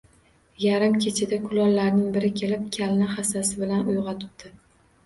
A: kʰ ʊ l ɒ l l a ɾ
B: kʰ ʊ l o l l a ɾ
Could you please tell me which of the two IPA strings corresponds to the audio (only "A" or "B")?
A